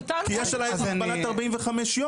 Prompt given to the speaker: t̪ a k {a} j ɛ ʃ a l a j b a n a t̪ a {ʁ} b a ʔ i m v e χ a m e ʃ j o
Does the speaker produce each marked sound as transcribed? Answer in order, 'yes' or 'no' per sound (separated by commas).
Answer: no, yes